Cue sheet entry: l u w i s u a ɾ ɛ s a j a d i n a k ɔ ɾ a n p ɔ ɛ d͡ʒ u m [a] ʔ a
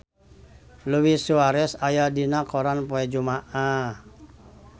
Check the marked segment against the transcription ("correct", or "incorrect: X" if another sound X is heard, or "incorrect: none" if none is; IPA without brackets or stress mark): correct